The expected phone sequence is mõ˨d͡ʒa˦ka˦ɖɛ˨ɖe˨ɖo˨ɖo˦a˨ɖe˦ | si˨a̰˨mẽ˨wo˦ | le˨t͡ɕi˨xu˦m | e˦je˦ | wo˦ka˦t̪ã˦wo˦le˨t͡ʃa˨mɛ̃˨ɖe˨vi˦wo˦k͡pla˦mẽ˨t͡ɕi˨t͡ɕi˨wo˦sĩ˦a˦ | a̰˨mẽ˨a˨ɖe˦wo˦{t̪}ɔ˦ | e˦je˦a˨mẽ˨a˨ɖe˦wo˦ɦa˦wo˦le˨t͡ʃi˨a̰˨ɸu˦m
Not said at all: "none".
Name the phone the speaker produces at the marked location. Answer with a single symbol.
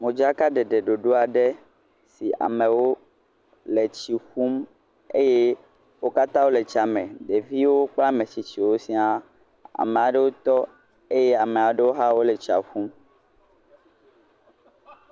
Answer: t̪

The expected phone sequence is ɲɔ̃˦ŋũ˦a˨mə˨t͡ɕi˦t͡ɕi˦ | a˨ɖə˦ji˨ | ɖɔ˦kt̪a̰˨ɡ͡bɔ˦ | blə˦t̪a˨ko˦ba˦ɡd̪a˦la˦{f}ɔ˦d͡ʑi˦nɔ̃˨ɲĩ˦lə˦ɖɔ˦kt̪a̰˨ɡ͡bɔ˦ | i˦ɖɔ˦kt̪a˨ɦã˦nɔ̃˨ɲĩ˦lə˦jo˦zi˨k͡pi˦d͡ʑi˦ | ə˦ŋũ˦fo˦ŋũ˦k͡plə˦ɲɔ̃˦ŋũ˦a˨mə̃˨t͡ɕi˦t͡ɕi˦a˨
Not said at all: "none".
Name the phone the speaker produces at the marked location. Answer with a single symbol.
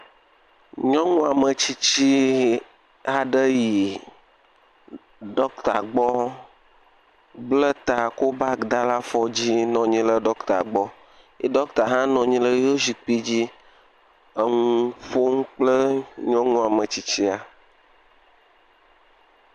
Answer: f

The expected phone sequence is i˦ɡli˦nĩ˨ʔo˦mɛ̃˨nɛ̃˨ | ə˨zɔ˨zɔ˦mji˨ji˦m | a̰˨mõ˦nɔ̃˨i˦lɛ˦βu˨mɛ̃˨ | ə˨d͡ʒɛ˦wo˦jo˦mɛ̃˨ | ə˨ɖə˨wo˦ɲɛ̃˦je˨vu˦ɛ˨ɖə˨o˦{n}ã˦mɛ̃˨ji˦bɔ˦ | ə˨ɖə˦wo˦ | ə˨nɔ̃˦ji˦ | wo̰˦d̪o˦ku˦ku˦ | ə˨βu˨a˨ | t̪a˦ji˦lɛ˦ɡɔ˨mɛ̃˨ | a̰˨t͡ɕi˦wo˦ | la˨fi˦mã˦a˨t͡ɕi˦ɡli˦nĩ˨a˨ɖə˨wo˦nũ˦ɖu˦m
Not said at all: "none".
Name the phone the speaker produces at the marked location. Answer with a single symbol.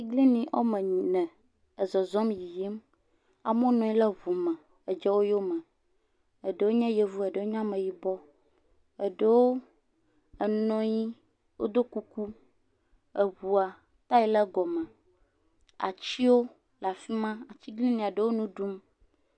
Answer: ɲ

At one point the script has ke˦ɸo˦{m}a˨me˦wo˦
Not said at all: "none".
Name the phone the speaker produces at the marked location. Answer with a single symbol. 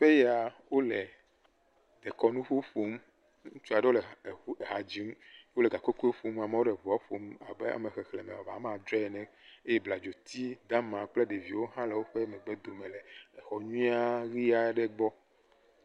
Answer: m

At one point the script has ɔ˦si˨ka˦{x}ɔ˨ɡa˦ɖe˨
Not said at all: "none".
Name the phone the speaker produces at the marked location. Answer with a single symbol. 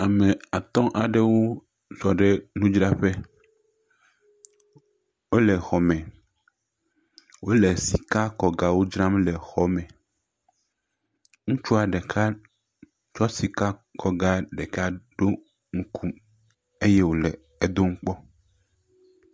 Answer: k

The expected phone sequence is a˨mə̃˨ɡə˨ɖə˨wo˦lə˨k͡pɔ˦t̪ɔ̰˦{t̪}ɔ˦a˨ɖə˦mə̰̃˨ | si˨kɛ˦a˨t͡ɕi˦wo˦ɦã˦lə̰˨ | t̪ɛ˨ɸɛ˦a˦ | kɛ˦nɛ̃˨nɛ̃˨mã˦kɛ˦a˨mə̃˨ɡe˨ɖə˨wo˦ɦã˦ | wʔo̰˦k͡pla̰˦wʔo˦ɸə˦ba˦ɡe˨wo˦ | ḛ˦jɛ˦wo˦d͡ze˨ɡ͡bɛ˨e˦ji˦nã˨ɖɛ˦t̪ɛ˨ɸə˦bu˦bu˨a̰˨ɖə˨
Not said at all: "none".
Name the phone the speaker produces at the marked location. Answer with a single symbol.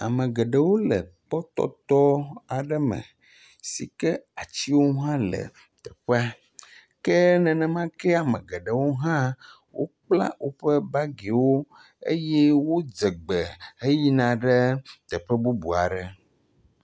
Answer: t̪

